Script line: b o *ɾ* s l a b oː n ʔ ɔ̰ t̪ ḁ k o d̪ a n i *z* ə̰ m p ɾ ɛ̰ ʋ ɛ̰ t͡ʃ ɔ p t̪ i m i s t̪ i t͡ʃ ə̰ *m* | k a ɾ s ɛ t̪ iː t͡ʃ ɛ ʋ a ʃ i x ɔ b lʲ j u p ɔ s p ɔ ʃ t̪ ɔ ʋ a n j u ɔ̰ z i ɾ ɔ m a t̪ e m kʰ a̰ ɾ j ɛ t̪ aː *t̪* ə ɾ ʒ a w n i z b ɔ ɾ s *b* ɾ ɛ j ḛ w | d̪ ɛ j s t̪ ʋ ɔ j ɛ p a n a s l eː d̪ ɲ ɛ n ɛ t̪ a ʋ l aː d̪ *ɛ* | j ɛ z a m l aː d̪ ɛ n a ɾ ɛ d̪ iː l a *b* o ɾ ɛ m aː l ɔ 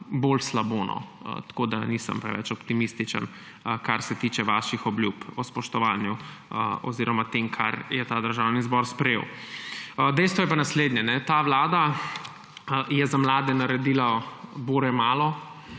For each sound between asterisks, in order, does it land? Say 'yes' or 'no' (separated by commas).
no, no, no, no, no, no, yes